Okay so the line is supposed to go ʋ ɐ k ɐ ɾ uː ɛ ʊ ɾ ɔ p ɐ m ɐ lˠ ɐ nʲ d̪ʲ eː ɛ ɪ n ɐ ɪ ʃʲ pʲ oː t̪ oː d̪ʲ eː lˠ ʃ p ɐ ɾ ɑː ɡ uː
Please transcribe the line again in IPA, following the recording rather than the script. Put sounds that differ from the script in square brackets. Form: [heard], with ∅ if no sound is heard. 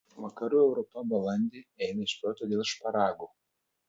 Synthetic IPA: ʋ ɐ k ɐ ɾ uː ɛ ʊ ɾ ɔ p ɐ [b] ɐ lˠ ɐ nʲ d̪ʲ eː ɛ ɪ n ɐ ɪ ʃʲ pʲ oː t̪ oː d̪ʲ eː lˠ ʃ p ɐ ɾ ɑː ɡ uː

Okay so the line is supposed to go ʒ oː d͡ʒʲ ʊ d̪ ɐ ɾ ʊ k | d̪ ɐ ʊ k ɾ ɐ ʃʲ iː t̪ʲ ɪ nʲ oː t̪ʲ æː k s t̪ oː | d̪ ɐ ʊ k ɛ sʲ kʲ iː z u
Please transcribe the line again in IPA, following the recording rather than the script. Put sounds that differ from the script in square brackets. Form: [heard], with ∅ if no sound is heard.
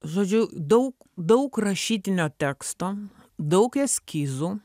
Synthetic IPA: ʒ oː d͡ʒʲ ʊ d̪ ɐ [∅] ʊ k | d̪ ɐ ʊ k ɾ ɐ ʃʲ iː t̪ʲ ɪ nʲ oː t̪ʲ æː k s t̪ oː | d̪ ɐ ʊ k ɛ sʲ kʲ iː z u

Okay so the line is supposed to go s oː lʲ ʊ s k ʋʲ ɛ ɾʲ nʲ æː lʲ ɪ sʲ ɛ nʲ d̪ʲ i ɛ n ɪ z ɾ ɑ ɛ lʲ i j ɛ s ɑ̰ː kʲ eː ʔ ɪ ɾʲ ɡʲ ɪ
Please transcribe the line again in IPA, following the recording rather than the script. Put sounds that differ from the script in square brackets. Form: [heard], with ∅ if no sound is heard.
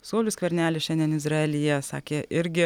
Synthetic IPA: s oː lʲ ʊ s k ʋʲ ɛ ɾʲ nʲ æː lʲ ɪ [ʃʲ] ɛ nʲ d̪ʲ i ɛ n ɪ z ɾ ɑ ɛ lʲ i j ɛ s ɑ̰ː kʲ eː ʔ ɪ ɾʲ ɡʲ ɪ

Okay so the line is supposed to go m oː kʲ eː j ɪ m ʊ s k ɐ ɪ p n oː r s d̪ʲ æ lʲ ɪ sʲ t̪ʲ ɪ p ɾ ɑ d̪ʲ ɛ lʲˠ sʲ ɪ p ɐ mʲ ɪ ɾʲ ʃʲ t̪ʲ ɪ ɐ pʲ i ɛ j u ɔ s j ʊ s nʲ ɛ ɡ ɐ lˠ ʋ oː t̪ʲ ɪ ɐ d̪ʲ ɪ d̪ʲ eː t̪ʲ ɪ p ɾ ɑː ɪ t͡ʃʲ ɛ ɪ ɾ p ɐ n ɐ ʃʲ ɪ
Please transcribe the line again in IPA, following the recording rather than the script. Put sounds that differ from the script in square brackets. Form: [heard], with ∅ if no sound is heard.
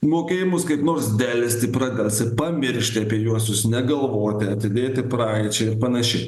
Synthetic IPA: m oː kʲ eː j ɪ m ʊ s k ɐ ɪ p n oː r s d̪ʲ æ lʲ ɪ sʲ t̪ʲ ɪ p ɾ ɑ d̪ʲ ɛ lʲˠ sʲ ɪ p ɐ mʲ ɪ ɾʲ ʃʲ t̪ʲ ɪ ɐ pʲ i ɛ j u ɔ s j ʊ s nʲ ɛ ɡ ɐ lˠ ʋ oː t̪ʲ ɪ ɐ [t̪ʲ] ɪ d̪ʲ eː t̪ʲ ɪ p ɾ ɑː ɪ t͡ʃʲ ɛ ɪ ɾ p ɐ n ɐ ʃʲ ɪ

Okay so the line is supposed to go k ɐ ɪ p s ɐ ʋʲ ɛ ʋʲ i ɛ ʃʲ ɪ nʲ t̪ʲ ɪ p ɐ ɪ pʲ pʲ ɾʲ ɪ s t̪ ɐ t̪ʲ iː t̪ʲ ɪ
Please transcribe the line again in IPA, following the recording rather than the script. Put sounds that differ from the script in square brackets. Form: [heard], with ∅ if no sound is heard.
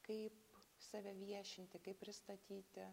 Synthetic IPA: k ɐ ɪ p s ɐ ʋʲ ɛ ʋʲ i ɛ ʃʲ ɪ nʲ t̪ʲ ɪ [k] ɐ ɪ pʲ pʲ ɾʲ ɪ s t̪ ɐ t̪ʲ iː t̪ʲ ɪ

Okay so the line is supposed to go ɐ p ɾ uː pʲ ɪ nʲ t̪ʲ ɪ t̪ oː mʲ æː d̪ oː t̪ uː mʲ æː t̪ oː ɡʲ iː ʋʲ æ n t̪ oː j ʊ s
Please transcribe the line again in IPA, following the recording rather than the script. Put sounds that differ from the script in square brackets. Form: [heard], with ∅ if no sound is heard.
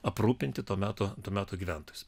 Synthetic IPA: ɐ p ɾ uː pʲ ɪ nʲ t̪ʲ ɪ t̪ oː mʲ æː [t̪] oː t̪ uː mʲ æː t̪ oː ɡʲ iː ʋʲ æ n t̪ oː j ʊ s

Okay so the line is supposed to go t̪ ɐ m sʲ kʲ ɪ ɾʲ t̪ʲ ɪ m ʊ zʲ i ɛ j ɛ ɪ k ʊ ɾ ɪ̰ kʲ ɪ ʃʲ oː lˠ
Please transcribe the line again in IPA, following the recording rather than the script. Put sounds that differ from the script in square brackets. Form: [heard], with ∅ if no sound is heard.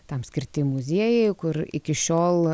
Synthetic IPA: t̪ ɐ m sʲ kʲ ɪ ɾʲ t̪ʲ ɪ m ʊ zʲ i ɛ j ɛ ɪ k ʊ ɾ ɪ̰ kʲ ɪ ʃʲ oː lˠ

